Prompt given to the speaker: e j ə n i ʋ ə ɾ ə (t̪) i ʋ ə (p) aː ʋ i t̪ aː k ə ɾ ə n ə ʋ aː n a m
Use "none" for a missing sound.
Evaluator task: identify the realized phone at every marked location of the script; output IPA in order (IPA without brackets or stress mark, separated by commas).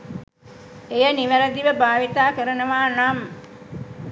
d̪, b